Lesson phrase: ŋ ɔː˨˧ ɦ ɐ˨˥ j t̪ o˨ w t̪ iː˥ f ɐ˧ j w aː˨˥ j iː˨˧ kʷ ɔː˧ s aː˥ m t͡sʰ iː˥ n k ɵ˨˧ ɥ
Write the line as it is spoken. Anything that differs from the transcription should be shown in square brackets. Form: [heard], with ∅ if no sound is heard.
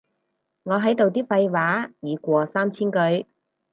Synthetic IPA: ŋ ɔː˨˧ ɦ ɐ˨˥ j t̪ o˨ w t̪ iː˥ f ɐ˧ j w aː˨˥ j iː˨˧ kʷ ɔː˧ s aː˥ m t͡sʰ iː˥ n k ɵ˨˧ ɥ